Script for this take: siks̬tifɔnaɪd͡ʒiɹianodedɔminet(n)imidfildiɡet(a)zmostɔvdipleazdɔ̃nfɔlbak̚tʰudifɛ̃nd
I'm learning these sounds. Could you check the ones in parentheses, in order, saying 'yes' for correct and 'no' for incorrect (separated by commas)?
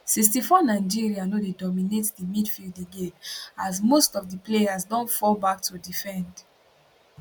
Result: no, yes